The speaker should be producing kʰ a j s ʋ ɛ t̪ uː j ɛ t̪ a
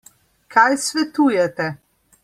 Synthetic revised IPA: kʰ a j s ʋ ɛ t̪ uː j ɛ t̪ ɛ